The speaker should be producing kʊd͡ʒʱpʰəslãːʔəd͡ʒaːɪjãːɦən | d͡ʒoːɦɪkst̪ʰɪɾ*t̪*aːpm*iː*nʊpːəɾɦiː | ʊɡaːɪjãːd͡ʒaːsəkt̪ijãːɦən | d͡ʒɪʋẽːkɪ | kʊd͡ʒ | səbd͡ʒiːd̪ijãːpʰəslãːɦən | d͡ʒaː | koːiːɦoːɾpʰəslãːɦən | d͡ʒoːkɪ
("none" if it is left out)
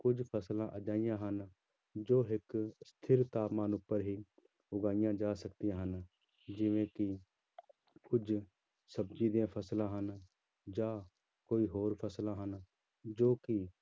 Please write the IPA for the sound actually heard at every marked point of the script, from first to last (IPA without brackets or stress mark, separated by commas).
t̪, aː